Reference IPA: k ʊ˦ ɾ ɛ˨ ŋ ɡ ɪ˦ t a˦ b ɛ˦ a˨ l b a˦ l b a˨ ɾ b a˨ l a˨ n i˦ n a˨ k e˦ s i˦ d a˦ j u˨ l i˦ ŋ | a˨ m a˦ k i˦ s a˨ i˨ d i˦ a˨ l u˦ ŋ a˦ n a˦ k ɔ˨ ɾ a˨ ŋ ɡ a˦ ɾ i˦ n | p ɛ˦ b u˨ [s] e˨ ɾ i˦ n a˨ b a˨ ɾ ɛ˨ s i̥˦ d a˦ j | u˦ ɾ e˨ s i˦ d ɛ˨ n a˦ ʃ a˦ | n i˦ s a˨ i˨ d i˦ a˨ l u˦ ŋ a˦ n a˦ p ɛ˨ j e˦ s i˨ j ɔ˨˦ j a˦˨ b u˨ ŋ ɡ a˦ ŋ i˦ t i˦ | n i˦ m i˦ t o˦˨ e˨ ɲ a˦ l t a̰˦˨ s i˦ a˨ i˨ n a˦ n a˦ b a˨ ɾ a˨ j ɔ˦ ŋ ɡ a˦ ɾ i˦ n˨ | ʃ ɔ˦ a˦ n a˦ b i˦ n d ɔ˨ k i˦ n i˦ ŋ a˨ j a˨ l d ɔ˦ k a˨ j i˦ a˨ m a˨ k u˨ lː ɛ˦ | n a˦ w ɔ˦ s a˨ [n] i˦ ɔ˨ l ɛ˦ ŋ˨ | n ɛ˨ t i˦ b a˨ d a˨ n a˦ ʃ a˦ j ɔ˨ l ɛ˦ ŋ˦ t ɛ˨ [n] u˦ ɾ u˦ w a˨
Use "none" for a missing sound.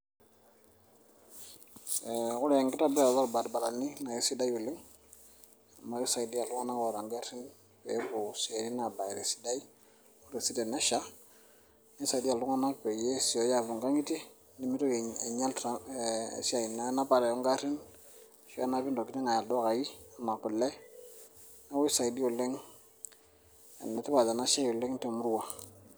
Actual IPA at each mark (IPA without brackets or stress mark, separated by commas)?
s, d, m